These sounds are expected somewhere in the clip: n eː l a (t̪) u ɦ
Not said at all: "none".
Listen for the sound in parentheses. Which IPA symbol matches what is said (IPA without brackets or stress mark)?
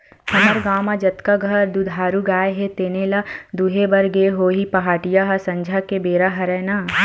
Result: d̪